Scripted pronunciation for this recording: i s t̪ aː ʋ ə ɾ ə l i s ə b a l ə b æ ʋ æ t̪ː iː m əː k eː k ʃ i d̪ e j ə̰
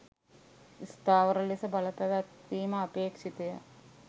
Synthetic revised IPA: i s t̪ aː ʋ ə ɾ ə l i s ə b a l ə p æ ʋ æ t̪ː iː m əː p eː k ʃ i t̪ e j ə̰